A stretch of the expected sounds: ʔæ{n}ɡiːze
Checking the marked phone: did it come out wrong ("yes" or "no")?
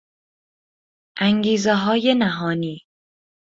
yes